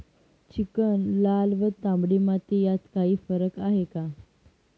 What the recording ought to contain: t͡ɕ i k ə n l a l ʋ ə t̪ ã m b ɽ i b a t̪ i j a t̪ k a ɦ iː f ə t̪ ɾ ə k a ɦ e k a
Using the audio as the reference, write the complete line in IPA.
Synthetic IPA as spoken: t͡ɕ i k ə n l a l ʋ ə t̪ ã m b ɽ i m a t̪ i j a t̪ k a ɦ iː f ə ɾ ə k a ɦ e k a